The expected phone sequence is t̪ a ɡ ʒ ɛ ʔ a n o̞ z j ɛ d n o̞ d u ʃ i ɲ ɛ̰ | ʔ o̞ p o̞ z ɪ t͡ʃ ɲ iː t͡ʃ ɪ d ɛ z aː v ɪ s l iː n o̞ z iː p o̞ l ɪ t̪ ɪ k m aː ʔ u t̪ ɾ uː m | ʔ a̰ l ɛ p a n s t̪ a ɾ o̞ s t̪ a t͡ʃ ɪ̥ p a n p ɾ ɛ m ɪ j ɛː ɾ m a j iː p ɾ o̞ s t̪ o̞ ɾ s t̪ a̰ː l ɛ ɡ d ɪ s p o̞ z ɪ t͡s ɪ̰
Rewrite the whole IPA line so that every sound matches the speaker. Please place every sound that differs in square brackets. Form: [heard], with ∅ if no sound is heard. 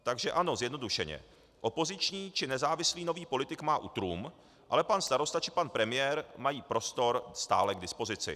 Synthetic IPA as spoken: t̪ a ɡ ʒ ɛ ʔ a n o̞ z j ɛ d n o̞ d u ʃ [ɛ] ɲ ɛ̰ | ʔ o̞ p o̞ z ɪ t͡ʃ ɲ iː t͡ʃ ɪ [n] ɛ z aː v ɪ s l iː n o̞ [v] iː p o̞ l ɪ t̪ ɪ k m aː ʔ u t̪ ɾ uː m | ʔ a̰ l ɛ p a n s t̪ a ɾ o̞ s t̪ a t͡ʃ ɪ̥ p a n p ɾ ɛ m ɪ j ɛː ɾ m a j iː p ɾ o̞ s t̪ o̞ ɾ s t̪ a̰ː l ɛ ɡ d ɪ s p o̞ z ɪ t͡s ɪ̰